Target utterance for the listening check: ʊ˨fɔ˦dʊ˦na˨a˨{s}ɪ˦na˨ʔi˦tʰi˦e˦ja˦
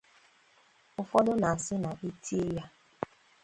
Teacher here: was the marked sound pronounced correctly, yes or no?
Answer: yes